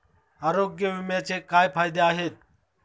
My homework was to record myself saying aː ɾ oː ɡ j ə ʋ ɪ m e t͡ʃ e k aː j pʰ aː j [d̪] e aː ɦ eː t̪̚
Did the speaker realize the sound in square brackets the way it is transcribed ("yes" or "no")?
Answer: yes